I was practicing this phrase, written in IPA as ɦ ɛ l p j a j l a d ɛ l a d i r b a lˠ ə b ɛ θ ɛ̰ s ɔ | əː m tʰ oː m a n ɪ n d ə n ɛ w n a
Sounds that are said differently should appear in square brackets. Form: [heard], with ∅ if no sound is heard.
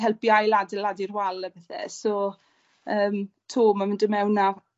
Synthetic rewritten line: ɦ ɛ l p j a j l a d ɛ l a d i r [w] a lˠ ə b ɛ θ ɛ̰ s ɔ | əː m tʰ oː m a [m] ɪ n d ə [m] ɛ w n a